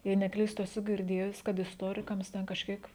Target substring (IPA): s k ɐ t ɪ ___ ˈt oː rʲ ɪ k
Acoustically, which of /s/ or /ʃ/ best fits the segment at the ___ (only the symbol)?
s